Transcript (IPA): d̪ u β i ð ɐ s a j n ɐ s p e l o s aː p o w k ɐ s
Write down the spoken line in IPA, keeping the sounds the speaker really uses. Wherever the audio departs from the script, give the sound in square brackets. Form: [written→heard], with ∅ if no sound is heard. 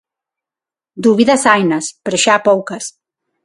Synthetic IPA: d̪ u β i ð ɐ s a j n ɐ s p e [l→ɾ] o [s→ʃ] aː p o w k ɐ s